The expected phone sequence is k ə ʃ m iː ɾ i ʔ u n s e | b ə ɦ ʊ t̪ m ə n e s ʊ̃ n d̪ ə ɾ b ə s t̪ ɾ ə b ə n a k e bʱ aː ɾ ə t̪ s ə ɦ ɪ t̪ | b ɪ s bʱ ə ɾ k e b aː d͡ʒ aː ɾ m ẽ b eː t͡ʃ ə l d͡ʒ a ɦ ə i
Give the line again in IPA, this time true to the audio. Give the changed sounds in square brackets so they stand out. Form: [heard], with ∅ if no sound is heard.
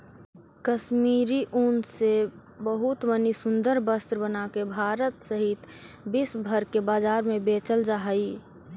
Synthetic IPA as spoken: k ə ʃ m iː ɾ i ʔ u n s e | b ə ɦ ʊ t̪ m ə n [i] s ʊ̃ n d̪ ə ɾ b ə s t̪ ɾ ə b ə n a k e bʱ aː ɾ ə t̪ s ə ɦ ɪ t̪ | b ɪ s bʱ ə ɾ k e b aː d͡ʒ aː ɾ m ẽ b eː t͡ʃ ə l d͡ʒ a ɦ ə i